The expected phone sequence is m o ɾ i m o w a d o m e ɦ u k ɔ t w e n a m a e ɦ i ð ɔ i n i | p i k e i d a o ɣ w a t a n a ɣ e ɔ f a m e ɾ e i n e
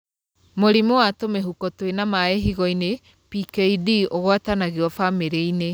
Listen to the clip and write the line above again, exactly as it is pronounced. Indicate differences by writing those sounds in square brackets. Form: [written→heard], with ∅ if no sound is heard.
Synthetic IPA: m o ɾ i m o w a [d→t] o m e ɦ u k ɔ t w e n a m a e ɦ i [ð→ɣ] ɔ i n [i→e] | p i k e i d [a→i] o ɣ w a t a n a ɣ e ɔ f a m e ɾ e i n e